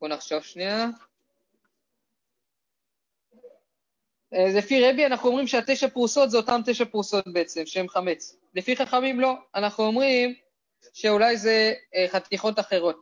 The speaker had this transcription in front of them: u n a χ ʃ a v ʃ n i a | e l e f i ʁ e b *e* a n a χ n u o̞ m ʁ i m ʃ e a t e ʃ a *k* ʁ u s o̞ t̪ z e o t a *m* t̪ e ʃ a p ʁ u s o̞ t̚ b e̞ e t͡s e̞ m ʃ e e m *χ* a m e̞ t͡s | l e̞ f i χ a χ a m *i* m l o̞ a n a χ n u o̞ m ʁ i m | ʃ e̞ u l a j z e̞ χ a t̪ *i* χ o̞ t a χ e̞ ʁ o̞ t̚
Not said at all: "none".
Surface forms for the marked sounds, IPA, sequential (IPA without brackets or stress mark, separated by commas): i, p, m, χ, i, i